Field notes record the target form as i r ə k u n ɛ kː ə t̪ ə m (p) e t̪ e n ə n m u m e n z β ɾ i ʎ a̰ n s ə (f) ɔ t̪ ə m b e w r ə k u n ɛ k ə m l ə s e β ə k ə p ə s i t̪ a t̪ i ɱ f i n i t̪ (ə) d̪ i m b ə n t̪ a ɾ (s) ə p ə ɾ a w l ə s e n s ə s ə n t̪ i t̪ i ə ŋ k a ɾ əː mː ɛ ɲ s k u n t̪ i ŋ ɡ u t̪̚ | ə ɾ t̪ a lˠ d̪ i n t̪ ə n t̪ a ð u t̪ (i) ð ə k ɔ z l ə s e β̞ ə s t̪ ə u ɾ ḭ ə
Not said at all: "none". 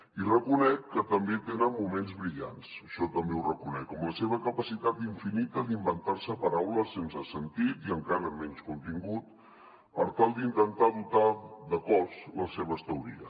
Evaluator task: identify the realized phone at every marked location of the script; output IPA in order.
b, ʃ, ə, s, a

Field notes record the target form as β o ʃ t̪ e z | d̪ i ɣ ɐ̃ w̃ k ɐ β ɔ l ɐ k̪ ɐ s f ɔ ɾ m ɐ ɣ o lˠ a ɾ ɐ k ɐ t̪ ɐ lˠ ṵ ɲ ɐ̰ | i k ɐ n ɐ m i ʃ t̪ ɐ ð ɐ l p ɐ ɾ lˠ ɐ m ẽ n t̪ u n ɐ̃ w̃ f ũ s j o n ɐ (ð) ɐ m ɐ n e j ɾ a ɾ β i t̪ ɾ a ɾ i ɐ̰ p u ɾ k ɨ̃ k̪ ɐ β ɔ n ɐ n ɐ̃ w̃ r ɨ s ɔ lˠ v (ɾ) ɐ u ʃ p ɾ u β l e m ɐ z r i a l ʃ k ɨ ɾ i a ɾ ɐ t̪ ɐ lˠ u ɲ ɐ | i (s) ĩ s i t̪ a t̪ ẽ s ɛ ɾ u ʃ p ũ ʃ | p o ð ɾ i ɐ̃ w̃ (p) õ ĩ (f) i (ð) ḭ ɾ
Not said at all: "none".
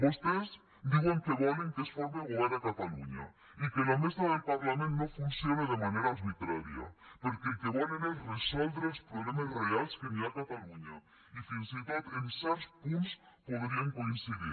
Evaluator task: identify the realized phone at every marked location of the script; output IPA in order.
ð, ɾ, f, k, s, ð

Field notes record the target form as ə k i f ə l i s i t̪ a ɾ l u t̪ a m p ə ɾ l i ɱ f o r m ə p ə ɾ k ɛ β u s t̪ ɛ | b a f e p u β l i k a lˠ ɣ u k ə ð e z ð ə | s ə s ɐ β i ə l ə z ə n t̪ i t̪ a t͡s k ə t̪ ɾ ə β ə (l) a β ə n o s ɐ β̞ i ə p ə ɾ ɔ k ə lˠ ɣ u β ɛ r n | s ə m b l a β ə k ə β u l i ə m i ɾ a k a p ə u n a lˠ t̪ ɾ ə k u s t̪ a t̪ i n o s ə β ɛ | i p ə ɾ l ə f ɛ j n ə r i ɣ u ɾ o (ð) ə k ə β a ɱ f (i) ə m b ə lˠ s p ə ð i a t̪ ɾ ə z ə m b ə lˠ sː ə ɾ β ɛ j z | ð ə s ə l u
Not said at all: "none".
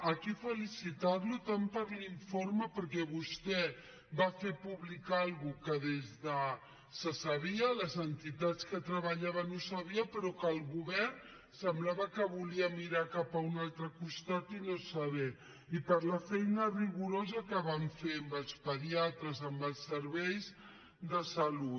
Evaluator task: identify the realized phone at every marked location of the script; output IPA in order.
ʎ, z, e

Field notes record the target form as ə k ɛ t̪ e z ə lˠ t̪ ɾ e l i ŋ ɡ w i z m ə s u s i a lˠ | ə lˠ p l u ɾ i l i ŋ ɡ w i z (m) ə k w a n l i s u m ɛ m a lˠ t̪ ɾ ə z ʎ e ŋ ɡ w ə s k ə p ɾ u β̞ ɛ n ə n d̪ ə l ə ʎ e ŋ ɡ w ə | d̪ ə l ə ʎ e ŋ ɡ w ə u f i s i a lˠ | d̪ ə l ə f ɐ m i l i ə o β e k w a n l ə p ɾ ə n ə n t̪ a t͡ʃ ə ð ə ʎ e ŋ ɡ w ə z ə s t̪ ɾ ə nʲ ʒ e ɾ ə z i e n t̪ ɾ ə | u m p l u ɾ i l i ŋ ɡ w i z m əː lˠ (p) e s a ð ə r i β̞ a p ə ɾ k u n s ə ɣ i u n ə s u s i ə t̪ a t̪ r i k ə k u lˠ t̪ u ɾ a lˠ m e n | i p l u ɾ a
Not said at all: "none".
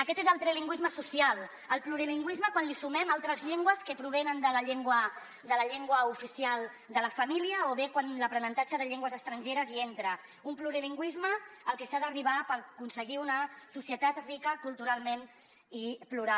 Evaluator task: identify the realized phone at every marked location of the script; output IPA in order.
m, k

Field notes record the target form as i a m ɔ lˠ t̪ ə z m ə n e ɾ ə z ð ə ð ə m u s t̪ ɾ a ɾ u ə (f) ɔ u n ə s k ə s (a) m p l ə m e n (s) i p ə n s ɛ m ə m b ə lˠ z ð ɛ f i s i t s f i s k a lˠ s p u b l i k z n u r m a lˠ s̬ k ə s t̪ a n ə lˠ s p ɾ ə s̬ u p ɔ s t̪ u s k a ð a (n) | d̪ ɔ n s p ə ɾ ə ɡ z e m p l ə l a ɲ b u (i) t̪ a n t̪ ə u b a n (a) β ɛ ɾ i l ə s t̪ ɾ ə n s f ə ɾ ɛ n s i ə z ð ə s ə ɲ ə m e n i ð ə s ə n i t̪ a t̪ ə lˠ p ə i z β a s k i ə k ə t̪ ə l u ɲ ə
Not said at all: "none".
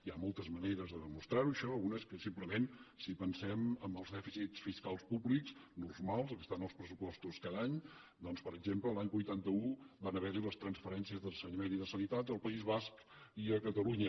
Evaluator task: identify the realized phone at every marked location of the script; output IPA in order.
ʃ, i, s, ɲ, j, ə

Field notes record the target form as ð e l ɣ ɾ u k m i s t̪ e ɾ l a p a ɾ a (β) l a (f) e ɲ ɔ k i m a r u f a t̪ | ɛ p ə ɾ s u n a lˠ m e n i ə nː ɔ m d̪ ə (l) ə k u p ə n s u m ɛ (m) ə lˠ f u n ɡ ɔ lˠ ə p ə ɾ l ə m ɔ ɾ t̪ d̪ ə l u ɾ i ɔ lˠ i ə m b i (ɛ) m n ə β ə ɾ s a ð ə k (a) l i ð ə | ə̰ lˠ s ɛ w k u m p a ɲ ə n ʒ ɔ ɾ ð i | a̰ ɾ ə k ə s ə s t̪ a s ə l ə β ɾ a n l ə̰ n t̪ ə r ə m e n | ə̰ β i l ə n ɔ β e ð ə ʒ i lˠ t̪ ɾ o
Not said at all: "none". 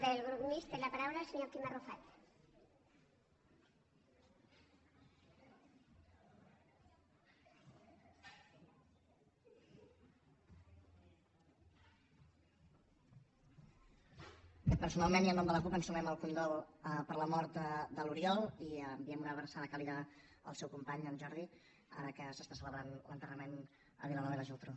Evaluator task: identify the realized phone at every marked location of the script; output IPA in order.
w, s, l, m, ɛ, a

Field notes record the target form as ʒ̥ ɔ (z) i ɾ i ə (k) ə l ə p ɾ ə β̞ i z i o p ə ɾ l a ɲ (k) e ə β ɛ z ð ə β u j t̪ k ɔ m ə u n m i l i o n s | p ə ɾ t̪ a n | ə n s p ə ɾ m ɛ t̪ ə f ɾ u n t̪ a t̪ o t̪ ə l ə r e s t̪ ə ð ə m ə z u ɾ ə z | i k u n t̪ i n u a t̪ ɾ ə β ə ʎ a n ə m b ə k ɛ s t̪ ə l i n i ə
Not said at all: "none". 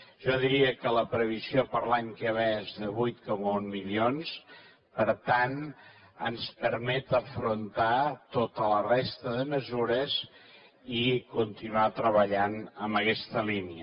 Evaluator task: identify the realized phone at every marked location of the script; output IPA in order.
ð, k, k

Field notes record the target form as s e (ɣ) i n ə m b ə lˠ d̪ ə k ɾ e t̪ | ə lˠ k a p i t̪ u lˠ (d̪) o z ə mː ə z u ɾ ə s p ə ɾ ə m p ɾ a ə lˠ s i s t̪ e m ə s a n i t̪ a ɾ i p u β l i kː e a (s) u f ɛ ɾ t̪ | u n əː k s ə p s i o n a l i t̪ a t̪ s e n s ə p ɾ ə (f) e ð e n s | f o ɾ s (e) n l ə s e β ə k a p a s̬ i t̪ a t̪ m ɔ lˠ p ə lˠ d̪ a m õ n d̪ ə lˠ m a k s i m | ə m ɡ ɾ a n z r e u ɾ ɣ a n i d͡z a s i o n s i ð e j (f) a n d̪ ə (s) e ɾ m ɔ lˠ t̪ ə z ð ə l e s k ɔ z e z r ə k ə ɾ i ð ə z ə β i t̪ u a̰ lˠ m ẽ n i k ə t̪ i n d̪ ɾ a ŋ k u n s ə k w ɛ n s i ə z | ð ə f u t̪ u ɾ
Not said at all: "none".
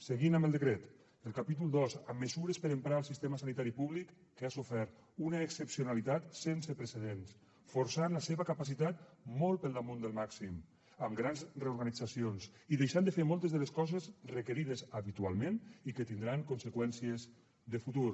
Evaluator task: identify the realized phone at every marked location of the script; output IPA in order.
ɣ, d̪, s, s, a, ʃ, f

